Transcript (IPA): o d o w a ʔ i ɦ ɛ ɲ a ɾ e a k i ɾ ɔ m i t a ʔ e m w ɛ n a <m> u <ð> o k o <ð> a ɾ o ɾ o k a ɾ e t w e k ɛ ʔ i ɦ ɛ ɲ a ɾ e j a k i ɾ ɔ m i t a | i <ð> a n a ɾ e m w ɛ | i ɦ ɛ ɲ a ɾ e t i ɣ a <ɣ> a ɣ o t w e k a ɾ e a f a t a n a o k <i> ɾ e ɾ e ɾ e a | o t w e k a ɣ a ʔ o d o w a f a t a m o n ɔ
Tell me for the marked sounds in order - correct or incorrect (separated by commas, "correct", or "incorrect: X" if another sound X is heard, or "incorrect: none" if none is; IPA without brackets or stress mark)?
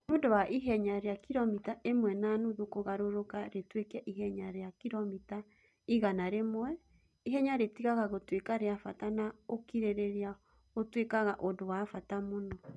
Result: incorrect: n, correct, incorrect: ɣ, incorrect: ɣ, correct, correct